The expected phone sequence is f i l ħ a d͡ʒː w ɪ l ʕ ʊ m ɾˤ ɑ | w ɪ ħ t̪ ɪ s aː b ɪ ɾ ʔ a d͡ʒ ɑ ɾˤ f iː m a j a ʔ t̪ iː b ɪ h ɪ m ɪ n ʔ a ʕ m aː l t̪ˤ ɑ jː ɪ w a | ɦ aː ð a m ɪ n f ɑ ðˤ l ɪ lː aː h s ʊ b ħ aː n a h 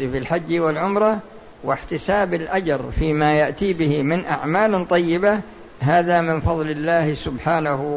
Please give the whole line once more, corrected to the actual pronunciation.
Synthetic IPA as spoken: f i l ħ a d͡ʒː w ɪ l ʕ ʊ m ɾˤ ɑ | w ɪ ħ t̪ ɪ s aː b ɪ l ʔ a d͡ʒ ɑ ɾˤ f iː m a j a ʔ t̪ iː b ɪ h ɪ m ɪ n ʔ a ʕ m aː l t̪ˤ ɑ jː ɪ b a | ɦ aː ð a m ɪ n f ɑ ðˤ l ɪ lː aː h s ʊ b ħ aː n a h